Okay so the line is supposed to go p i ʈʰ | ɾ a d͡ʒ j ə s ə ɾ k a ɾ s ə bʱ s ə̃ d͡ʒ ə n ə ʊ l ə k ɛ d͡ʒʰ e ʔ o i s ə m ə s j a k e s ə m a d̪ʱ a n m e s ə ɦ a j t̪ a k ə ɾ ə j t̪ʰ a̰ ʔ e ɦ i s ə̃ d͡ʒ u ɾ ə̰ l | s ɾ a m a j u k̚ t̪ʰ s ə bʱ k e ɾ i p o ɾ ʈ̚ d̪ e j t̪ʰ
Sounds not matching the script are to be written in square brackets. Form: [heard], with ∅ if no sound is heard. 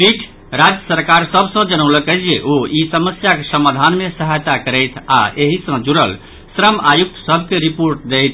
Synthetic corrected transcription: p i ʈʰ | ɾ a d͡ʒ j ə s ə ɾ k a ɾ s ə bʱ s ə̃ d͡ʒ ə n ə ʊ l ə k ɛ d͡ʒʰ e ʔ o i s ə m ə s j a k e s ə m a d̪ʱ a n m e s ə ɦ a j t̪ a k ə ɾ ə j t̪ʰ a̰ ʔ e ɦ i s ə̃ d͡ʒ u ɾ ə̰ l | s ɾ [ə] m a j u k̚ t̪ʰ s ə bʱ k e ɾ i p o ɾ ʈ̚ d̪ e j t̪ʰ